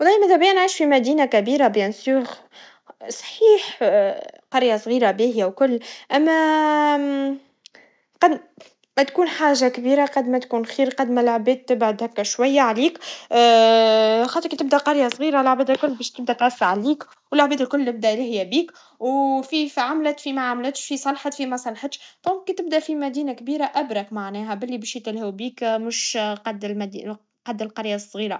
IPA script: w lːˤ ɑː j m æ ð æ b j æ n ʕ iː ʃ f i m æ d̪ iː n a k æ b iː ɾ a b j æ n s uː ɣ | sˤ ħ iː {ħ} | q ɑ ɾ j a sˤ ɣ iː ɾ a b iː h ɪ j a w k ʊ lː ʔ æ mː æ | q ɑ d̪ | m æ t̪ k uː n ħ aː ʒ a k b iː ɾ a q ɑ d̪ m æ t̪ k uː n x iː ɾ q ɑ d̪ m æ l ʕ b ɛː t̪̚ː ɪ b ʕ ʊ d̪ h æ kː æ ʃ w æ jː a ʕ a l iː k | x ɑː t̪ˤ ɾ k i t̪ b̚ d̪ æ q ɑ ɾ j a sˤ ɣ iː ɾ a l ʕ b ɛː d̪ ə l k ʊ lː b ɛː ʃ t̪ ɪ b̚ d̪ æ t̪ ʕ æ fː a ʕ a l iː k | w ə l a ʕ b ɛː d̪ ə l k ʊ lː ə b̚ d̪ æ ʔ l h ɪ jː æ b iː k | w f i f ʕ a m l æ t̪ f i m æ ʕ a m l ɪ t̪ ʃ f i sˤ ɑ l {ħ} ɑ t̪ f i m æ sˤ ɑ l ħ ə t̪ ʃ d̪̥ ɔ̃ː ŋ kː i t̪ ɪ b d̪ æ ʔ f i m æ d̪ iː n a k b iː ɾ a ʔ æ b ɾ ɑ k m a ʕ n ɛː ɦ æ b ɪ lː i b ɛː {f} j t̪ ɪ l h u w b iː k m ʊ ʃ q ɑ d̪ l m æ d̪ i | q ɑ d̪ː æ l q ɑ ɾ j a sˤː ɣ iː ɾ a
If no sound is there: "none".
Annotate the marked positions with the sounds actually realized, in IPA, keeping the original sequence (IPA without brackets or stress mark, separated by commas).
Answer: ħ, ħ, ʃ